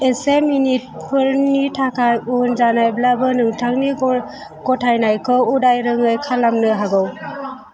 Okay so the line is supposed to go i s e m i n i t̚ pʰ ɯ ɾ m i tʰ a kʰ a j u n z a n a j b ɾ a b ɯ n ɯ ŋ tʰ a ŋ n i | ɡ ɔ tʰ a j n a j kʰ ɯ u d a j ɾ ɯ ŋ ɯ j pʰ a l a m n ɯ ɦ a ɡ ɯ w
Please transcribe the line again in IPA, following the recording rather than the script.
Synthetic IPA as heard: e s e m i n i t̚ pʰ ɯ ɾ n i tʰ a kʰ a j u n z a n a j b l a b ɯ n ɯ ŋ tʰ a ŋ n i | ɡ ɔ tʰ a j n a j kʰ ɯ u d a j ɾ ɯ ŋ ɯ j kʰ a l a m n ɯ ɦ a ɡ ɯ w